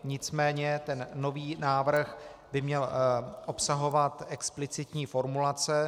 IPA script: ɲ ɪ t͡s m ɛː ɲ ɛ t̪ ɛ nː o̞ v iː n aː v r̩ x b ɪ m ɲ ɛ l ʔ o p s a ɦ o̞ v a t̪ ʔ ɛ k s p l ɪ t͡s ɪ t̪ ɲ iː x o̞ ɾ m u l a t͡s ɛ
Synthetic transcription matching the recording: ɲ ɪ t͡s m ɛː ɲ ɛ t̪ ɛ nː o̞ v iː n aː v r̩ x b ɪ m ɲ ɛ l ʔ o p s a ɦ o̞ v a t̪ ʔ ɛ k s p l ɪ t͡s ɪ t̪ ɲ iː f o̞ ɾ m u l a t͡s ɛ